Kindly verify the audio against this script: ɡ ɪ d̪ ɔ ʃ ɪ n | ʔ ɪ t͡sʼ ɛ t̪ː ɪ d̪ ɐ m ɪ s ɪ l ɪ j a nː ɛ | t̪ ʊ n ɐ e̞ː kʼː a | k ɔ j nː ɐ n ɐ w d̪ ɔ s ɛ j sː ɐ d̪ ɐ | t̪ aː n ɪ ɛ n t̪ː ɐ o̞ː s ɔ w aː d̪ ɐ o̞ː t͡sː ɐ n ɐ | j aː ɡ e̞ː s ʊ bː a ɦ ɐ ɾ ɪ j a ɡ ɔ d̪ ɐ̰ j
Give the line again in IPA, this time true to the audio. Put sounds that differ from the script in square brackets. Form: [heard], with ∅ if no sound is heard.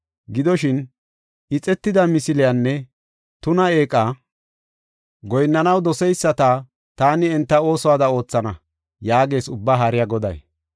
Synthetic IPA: ɡ ɪ d̪ ɔ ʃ ɪ n | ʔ ɪ t͡sʼ ɛ t̪ː ɪ d̪ ɐ m ɪ s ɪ l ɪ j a nː ɛ | t̪ ʊ n ɐ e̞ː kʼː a | [ɡ] ɔ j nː ɐ n ɐ w d̪ ɔ s ɛ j sː ɐ [t̪] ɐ | t̪ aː n ɪ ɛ n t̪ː ɐ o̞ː s ɔ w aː d̪ ɐ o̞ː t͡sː ɐ n ɐ | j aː ɡ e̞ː s ʊ bː a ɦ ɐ ɾ ɪ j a ɡ ɔ d̪ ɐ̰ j